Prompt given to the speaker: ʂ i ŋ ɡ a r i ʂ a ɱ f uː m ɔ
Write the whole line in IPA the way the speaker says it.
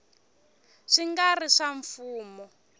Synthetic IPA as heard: ʂ i ŋ ɡ a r i ʂ a ɱ f uː m ɔ